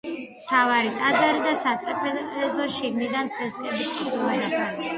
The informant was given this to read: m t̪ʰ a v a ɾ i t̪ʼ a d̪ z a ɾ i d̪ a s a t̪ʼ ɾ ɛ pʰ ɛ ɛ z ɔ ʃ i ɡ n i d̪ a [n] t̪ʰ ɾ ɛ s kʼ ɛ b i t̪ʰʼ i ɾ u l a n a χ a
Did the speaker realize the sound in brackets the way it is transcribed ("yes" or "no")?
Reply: yes